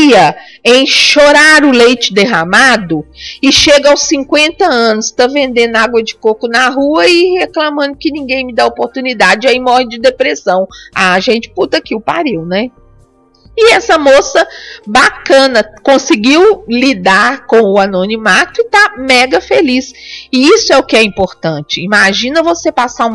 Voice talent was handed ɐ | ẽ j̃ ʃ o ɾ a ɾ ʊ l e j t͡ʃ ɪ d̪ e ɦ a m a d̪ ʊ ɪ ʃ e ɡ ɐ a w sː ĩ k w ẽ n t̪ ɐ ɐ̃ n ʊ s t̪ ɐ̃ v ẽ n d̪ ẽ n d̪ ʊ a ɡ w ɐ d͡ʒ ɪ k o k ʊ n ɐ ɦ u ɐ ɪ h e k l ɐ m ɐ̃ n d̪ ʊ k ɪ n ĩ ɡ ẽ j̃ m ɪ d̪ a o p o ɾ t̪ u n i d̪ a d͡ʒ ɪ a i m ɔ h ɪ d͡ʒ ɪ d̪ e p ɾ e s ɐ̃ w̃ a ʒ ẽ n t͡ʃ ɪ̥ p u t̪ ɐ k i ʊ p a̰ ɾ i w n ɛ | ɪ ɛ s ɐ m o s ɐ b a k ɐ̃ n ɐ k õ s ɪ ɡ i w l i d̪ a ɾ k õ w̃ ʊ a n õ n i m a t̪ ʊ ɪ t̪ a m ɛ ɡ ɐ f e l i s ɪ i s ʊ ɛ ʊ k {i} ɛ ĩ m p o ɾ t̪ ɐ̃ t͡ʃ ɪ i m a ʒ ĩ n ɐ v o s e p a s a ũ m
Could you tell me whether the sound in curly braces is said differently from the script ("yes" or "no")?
yes